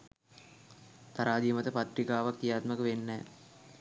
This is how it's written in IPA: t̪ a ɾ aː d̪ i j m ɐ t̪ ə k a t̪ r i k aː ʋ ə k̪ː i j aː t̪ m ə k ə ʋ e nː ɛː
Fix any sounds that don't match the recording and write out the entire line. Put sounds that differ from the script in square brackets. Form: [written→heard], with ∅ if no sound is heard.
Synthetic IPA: t̪ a ɾ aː d̪ i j m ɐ t̪ ə [k→p] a t̪ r i k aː ʋ [ə→a] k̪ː i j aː t̪ m ə k ə ʋ e nː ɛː